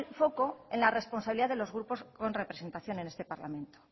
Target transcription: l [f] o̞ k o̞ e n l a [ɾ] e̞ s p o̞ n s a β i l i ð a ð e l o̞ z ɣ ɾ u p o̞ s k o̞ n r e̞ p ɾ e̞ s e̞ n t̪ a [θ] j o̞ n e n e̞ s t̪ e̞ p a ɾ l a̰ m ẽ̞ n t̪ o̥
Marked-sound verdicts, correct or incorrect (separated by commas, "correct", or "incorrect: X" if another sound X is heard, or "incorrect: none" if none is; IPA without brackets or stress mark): correct, incorrect: r, correct